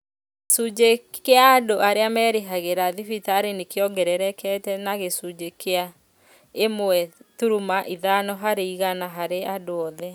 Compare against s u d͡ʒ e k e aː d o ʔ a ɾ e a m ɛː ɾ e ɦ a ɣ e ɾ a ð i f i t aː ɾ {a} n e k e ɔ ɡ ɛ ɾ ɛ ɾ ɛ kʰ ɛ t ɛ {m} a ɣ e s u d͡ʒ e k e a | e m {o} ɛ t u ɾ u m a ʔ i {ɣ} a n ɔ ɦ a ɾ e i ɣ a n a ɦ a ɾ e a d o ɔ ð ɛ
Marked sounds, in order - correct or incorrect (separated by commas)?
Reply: incorrect, incorrect, correct, incorrect